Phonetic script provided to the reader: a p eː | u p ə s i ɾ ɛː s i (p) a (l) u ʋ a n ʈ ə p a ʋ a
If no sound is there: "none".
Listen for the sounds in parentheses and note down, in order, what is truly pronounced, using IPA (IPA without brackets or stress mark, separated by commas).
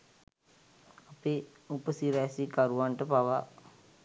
k, ɾ